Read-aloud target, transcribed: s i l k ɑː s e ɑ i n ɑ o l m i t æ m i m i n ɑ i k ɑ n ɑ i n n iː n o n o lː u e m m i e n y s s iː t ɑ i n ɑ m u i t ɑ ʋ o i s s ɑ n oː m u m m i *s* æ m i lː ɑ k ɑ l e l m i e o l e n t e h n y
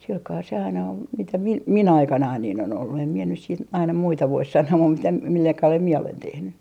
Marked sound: incorrect: t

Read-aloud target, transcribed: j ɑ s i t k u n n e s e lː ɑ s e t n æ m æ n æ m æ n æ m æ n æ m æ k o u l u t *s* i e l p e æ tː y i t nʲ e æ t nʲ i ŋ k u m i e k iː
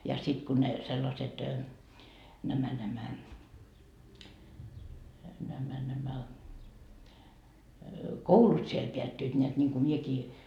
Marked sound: correct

